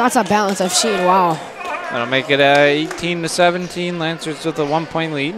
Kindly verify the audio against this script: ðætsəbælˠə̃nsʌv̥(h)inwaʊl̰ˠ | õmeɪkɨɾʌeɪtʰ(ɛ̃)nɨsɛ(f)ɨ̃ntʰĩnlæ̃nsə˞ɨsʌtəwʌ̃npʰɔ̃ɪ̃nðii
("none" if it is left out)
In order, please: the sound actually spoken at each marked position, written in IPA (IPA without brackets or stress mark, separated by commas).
ʃ, ĩ, v